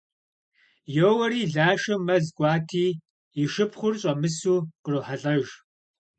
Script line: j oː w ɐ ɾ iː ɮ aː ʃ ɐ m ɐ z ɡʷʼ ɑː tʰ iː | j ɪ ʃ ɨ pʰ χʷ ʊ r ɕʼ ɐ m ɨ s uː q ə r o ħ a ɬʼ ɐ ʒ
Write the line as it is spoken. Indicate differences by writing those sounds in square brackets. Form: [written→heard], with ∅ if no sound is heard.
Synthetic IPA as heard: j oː w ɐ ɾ iː ɮ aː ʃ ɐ m ɐ z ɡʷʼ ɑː tʰ iː | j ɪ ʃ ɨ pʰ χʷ ʊ r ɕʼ ɐ m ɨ s uː q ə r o ħ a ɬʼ ɐ ʒ